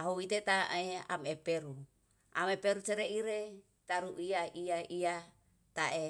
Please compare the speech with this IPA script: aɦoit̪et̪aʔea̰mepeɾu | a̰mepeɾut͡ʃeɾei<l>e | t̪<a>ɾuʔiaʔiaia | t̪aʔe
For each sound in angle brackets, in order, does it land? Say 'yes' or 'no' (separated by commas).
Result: no, yes